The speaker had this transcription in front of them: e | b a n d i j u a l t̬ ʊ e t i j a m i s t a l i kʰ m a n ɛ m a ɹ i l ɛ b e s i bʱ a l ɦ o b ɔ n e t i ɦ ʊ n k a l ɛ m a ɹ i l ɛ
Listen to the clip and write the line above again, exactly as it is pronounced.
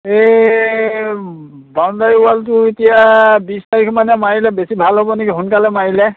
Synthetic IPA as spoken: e | b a n d a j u a l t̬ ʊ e t i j a b i s t a ɹ i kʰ m a n ɛ m a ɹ i l ɛ b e s i bʱ a l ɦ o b ɔ n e k i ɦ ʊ n k a l ɛ m a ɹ i l ɛ